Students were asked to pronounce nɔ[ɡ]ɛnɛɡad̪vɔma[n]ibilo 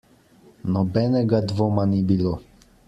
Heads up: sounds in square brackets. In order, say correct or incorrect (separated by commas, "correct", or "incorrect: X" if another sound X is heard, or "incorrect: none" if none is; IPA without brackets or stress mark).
incorrect: b, correct